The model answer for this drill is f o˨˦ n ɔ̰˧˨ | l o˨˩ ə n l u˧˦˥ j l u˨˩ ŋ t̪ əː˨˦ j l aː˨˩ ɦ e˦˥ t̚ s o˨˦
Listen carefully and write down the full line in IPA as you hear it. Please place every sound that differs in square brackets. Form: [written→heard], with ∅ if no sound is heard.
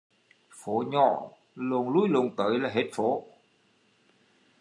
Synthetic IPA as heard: f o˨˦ [n→ɲ] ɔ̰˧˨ | l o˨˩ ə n l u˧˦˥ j l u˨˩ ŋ t̪ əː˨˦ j l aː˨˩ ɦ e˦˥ t̚ [s→f] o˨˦

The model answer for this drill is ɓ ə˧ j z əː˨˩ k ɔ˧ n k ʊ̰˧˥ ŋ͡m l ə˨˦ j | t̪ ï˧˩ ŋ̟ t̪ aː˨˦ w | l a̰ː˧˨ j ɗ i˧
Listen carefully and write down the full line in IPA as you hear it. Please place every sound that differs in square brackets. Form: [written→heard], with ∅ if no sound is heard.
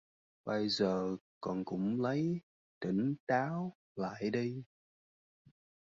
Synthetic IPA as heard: ɓ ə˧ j z əː˨˩ k [ɔ˧→ɔ˨˩] n k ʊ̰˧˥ ŋ͡m l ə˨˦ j | t̪ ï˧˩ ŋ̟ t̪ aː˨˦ w | l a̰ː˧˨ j ɗ i˧

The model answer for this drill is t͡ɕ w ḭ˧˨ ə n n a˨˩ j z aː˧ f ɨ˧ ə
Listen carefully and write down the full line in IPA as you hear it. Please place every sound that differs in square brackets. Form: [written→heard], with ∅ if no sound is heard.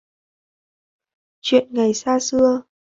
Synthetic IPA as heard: t͡ɕ w ḭ˧˨ ə n [n→ŋ] a˨˩ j [z→s] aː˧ [f→s] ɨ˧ ə

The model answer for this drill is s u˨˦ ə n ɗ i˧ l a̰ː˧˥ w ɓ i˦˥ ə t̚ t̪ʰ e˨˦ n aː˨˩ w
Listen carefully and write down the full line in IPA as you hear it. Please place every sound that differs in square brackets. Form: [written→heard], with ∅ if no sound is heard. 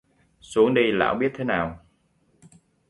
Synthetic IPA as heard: s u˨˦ ə [n→ŋ] ɗ i˧ l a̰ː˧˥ w ɓ i˦˥ ə t̚ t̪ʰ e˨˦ n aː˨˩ w

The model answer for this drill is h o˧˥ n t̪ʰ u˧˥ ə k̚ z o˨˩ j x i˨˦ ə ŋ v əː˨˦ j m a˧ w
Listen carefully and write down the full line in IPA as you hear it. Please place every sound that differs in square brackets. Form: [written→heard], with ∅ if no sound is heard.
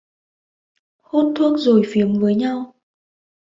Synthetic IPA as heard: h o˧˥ n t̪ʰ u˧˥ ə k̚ z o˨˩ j [x→f] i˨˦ ə [ŋ→m] v əː˨˦ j [m→ɲ] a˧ w

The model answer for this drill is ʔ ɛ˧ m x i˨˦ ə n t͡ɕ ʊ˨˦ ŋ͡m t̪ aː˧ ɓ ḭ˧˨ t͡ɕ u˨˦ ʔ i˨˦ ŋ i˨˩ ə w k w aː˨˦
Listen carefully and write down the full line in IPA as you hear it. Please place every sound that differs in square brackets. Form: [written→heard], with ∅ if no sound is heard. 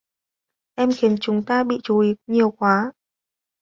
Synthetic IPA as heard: ʔ ɛ˧ m x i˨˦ ə n t͡ɕ ʊ˨˦ ŋ͡m t̪ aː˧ ɓ ḭ˧˨ t͡ɕ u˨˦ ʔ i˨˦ [ŋ→ɲ] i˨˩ ə w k w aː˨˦

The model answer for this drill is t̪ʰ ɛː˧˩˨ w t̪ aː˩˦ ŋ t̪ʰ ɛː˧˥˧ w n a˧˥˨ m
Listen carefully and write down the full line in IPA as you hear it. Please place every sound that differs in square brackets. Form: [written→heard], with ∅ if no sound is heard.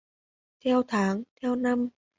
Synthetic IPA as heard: t̪ʰ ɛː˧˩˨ w [t̪→t̪ʰ] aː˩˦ ŋ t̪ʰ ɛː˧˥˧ w n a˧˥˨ m

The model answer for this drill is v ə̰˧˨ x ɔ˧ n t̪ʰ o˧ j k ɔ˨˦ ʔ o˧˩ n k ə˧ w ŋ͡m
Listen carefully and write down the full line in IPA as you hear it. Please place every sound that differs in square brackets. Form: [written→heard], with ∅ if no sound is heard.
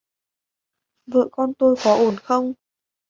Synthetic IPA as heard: v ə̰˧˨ [x→k] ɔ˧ n [t̪ʰ→t̪] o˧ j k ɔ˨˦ ʔ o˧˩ n [k→x] ə˧ w ŋ͡m

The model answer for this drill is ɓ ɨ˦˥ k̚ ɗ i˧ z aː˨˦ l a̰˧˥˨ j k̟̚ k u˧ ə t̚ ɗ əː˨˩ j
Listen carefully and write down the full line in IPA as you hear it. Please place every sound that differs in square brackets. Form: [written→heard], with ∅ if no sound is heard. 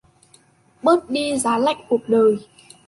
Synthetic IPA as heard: ɓ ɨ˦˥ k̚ ɗ i˧ z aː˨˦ l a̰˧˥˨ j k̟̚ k [u˧→u˨˩] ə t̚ ɗ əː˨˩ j

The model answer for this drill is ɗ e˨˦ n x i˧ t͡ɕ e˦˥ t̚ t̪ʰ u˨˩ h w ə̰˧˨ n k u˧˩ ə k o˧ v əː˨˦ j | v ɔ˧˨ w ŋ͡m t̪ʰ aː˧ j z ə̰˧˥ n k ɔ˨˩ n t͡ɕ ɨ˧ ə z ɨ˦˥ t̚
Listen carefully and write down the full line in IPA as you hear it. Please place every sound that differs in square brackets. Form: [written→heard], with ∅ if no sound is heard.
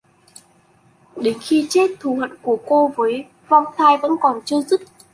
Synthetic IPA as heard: ɗ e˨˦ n x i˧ t͡ɕ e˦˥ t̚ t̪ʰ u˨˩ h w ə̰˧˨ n k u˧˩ ə k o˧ v əː˨˦ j | v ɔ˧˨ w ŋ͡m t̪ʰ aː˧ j [z→v] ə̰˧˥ n k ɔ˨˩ n t͡ɕ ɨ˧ ə z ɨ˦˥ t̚

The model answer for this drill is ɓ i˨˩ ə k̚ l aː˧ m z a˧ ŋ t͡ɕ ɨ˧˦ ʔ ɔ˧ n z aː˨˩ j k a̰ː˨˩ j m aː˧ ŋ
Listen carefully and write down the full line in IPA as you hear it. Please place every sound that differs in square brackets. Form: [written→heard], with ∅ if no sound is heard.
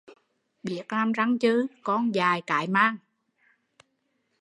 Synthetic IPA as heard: ɓ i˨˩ ə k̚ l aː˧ m z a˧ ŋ t͡ɕ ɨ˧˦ [ʔ→k] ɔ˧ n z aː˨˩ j k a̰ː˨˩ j m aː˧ ŋ

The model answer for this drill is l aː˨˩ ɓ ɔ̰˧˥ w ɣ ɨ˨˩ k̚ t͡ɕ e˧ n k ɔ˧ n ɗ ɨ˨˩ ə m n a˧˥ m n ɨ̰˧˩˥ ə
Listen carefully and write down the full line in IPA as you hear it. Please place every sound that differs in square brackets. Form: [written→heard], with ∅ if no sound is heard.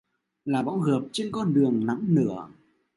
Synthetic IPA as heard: l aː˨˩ ɓ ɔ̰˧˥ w ɣ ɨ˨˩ [k̚→p̚] t͡ɕ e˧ n k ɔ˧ n ɗ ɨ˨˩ ə [m→ŋ] n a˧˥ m n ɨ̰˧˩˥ ə

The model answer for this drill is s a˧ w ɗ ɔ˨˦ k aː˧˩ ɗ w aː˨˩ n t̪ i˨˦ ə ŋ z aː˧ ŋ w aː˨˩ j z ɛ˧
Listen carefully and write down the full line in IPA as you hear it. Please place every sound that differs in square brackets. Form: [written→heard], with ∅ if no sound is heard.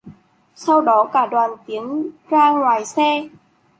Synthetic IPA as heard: s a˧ w ɗ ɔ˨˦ k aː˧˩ ɗ w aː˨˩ n t̪ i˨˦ ə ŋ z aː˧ ŋ w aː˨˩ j [z→s] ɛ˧

